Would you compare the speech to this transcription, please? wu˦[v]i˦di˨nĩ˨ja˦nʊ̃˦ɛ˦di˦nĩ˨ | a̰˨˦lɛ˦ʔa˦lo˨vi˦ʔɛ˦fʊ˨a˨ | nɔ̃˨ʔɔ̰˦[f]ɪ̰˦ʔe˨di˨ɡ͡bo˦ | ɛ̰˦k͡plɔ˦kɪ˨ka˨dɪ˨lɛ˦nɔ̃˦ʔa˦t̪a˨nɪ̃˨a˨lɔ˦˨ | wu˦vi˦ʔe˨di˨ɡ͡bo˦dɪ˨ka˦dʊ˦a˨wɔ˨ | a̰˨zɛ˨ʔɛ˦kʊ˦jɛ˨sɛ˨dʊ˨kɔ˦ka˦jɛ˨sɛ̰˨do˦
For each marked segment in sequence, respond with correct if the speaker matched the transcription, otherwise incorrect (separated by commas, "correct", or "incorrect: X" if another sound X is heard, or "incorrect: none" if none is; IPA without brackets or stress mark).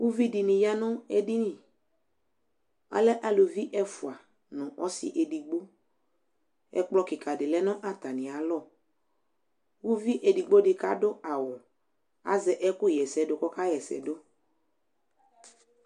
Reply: correct, incorrect: s